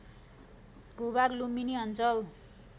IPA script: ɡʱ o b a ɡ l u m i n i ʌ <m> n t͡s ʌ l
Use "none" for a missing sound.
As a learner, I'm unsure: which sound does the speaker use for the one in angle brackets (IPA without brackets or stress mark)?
none